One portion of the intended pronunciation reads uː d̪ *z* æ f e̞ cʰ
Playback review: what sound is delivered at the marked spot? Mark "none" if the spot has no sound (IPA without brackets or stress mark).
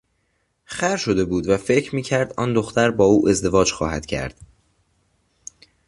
v